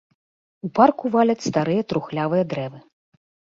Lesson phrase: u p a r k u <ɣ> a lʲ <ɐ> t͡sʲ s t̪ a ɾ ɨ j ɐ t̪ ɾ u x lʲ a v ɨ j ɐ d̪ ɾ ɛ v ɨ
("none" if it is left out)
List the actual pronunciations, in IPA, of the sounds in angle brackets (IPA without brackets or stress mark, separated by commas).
v, ɐ